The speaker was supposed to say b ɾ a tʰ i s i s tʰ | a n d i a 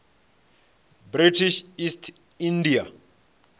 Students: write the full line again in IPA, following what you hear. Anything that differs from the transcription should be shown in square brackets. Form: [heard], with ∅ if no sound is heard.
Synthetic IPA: b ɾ [i] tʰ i [ʃ] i s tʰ | [i] n d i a